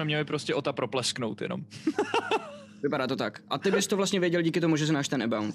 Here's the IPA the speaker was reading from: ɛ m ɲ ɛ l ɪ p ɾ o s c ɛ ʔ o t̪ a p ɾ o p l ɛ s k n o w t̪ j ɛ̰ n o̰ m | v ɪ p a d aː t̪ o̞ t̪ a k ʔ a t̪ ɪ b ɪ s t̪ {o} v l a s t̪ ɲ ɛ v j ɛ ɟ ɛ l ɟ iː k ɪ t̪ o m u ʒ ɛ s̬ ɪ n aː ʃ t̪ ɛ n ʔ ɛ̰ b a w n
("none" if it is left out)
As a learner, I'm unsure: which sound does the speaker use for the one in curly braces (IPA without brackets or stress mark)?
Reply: o